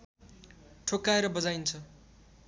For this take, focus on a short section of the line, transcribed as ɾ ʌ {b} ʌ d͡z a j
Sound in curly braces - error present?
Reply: no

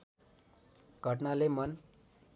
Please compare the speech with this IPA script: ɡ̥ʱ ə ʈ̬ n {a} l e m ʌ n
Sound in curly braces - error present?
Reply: no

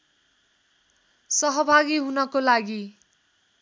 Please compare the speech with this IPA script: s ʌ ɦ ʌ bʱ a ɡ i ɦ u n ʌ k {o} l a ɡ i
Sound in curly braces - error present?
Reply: no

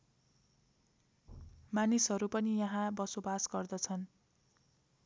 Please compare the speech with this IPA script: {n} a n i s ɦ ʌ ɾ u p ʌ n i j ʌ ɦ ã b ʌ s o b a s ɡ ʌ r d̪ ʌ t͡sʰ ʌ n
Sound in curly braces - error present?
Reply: yes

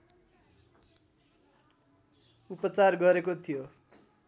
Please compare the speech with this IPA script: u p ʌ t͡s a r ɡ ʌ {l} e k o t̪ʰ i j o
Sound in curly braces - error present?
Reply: yes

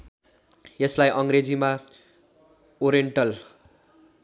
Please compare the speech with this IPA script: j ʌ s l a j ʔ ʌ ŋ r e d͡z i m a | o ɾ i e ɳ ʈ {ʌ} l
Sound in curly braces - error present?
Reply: no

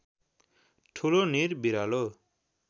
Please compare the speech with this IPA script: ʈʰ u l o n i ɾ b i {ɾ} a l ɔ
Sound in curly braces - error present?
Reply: no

